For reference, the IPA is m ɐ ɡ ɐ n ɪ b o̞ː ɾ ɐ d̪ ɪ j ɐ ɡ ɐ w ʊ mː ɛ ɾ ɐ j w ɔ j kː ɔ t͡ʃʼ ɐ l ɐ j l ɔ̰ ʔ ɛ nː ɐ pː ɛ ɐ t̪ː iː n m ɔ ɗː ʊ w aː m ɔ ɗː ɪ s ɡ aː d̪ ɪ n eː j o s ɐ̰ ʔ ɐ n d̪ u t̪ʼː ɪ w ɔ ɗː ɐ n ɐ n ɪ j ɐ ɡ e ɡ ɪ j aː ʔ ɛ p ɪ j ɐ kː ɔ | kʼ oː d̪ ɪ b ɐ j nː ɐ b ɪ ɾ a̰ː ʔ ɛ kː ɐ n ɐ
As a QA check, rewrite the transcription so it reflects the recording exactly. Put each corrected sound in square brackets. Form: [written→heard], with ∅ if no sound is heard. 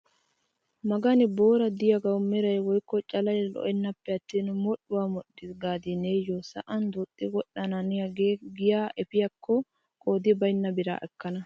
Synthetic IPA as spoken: m ɐ ɡ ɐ n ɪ b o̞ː ɾ ɐ d̪ ɪ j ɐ ɡ ɐ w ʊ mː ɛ ɾ ɐ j w ɔ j kː ɔ t͡ʃʼ ɐ l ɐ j l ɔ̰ ʔ ɛ nː ɐ pː ɛ ɐ t̪ː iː n m ɔ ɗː ʊ w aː m ɔ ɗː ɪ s ɡ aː d̪ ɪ n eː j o s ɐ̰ ʔ ɐ n d̪ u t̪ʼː ɪ w ɔ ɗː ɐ n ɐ n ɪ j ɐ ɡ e ɡ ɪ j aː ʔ ɛ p ɪ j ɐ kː ɔ | kʼ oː d̪ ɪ b ɐ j nː ɐ b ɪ ɾ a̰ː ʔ ɛ kː ɐ n ɐ